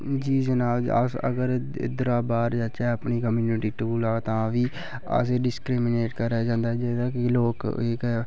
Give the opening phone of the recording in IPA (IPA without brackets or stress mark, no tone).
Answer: d͡ʒ